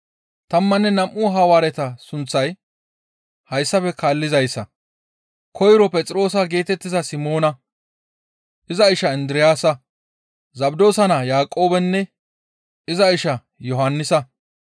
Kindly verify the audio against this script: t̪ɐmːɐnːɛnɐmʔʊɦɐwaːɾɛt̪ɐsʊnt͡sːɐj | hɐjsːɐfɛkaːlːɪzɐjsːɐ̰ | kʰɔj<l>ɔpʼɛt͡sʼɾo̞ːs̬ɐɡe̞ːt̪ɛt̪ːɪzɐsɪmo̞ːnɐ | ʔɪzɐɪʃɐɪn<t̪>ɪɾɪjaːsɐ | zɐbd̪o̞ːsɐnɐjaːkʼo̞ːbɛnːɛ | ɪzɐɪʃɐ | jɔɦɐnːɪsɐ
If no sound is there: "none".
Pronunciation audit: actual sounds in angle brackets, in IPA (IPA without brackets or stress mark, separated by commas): ɾ, d̪